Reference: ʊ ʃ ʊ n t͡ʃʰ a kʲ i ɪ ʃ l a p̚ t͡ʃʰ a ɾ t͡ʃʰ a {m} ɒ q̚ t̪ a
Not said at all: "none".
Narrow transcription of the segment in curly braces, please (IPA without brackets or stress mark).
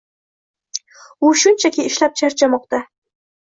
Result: m